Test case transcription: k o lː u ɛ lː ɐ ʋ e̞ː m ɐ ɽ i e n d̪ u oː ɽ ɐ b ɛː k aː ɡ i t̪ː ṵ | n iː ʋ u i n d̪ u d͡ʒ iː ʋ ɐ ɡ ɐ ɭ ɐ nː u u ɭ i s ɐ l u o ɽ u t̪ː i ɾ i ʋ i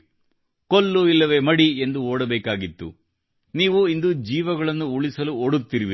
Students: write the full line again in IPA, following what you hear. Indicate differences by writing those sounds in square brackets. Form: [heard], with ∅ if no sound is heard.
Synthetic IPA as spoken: k o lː u [i] lː ɐ ʋ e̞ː m ɐ ɽ i e n d̪ u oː ɽ ɐ b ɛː k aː ɡ i t̪ː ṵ | n iː ʋ u i n d̪ u d͡ʒ iː ʋ ɐ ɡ ɐ ɭ ɐ nː u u ɭ i s ɐ l u o ɽ u t̪ː i ɾ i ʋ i

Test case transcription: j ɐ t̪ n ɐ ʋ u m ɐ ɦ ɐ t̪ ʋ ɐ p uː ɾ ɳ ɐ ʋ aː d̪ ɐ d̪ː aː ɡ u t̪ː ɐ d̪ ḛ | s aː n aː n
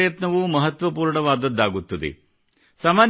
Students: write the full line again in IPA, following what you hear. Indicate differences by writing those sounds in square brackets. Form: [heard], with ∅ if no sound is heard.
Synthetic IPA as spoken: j ɐ t̪ n ɐ ʋ u m ɐ ɦ ɐ t̪ ʋ ɐ p uː ɾ ɳ ɐ ʋ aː d̪ ɐ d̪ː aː ɡ u t̪ː ɐ d̪ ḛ | s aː [m] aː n

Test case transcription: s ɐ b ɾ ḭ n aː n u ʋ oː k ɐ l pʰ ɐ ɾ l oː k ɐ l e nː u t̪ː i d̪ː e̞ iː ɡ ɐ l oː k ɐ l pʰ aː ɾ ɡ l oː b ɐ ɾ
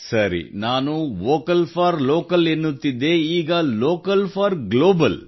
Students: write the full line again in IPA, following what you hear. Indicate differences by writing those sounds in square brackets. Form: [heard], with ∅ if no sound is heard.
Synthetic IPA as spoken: s ɐ [∅] ɾ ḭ n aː n u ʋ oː k ɐ l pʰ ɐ ɾ l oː k ɐ l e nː u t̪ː i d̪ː e̞ iː ɡ ɐ l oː k ɐ l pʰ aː ɾ ɡ l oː b ɐ [l]

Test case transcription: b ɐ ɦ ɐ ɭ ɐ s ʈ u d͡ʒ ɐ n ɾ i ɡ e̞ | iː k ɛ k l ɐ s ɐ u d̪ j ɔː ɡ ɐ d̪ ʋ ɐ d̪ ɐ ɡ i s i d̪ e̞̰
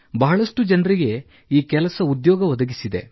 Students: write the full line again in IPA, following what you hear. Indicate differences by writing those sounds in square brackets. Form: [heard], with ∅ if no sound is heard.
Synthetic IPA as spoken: b ɐ ɦ ɐ ɭ ɐ [ʂ] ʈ u d͡ʒ ɐ n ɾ i ɡ e̞ | iː k ɛ [∅] l ɐ s ɐ u d̪ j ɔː ɡ ɐ [∅] ʋ ɐ d̪ ɐ ɡ i s i d̪ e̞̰

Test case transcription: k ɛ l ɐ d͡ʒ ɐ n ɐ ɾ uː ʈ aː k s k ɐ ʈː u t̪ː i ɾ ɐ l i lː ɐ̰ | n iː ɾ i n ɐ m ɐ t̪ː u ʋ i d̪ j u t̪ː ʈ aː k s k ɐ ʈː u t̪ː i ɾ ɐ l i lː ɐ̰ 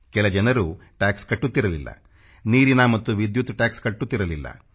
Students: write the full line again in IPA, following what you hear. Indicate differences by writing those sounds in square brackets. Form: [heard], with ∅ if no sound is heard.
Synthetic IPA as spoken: k ɛ l ɐ d͡ʒ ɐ n ɐ ɾ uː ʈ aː k s k ɐ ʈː u t̪ː i ɾ ɐ l i lː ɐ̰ | n iː ɾ i n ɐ m ɐ t̪ː u ʋ i d̪ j u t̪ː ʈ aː k s k ɐ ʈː u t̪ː i ɾ ɐ l i lː ɐ̰

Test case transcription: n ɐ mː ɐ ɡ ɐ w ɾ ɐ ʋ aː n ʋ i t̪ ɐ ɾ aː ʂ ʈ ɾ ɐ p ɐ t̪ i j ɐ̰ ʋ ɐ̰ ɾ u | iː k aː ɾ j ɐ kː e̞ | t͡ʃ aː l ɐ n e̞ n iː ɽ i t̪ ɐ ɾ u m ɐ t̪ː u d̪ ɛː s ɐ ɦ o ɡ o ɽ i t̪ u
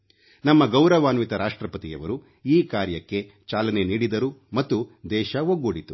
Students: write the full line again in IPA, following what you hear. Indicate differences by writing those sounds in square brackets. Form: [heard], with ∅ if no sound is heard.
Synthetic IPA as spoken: n ɐ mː ɐ ɡ ɐ w ɾ ɐ ʋ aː n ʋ i t̪ ɐ ɾ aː ʂ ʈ ɾ ɐ p ɐ t̪ i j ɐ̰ ʋ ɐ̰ ɾ u | iː k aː ɾ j ɐ kː e̞ | t͡ʃ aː l ɐ n e̞ n iː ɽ i [d̪] ɐ ɾ u m ɐ t̪ː u d̪ ɛː [ʃ] ɐ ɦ o ɡ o ɽ i t̪ u

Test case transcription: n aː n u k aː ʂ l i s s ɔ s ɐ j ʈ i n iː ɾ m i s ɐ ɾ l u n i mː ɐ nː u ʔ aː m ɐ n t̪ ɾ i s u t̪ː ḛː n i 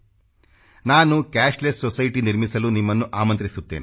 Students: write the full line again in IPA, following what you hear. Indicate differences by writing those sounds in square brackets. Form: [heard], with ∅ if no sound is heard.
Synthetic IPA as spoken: n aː n u k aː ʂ l [e] s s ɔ s ɐ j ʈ i n [i] ɾ m i s ɐ [∅] l u n i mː ɐ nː u ʔ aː m ɐ n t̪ ɾ i s u t̪ː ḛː n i

